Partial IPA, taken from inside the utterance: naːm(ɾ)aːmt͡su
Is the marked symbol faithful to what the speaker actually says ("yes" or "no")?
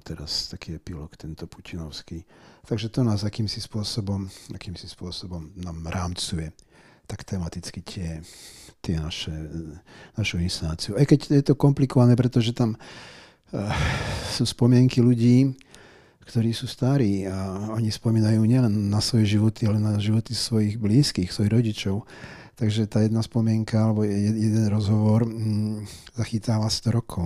yes